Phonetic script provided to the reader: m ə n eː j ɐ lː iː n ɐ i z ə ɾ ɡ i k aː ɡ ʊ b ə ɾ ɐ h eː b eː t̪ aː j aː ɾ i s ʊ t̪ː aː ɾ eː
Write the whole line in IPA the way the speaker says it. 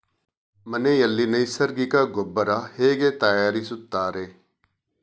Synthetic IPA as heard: m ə n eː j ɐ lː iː n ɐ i s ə ɾ ɡ i k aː ɡ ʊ b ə ɾ a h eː ɡ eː t̪ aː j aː ɾ i s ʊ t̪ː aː ɾ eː